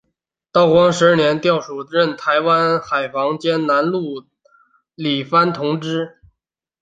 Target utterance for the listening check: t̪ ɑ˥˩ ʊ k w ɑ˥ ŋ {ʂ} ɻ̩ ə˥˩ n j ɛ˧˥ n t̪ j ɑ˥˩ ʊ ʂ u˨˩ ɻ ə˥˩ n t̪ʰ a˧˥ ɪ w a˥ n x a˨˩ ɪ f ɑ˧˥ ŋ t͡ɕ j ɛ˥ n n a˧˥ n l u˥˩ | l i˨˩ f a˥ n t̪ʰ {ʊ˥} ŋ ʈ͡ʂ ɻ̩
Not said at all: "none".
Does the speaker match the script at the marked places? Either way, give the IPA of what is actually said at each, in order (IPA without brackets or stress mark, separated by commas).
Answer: ʂ, ʊ˧˥